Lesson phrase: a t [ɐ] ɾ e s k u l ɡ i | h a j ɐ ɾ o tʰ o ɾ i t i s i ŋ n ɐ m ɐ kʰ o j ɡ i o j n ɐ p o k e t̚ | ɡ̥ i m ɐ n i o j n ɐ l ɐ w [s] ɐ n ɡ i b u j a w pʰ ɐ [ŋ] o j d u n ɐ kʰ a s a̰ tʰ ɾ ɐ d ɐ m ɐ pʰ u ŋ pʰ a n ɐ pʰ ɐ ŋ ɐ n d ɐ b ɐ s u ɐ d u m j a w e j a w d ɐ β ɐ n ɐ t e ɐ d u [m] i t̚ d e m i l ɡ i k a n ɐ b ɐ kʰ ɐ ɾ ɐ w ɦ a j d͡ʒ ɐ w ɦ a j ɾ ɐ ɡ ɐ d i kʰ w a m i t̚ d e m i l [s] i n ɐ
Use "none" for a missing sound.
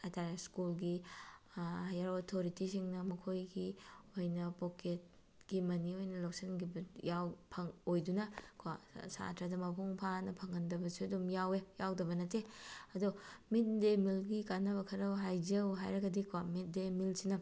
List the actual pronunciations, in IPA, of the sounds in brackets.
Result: a, s, ŋ, m, s

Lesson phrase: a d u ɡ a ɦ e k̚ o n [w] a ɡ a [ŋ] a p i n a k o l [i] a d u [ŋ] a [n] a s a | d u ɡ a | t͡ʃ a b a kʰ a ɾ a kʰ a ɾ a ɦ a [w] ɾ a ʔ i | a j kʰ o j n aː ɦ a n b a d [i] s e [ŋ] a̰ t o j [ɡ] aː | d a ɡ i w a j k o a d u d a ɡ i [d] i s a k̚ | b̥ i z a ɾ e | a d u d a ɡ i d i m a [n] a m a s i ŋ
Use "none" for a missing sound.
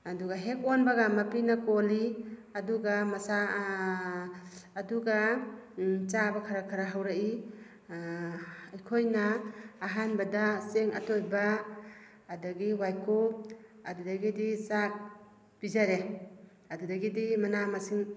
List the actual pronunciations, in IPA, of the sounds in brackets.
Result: b, m, i, ɡ, m, w, a, ŋ, b, d, n

